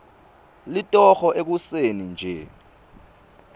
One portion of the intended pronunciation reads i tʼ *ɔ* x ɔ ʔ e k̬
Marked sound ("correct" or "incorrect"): correct